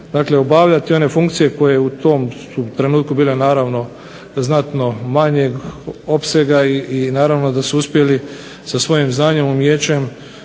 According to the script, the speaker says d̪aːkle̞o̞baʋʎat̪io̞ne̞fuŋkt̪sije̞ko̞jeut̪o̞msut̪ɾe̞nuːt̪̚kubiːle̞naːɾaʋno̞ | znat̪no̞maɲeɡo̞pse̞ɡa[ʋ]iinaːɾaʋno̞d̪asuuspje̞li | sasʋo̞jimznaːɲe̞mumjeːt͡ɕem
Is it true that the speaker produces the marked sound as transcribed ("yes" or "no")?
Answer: no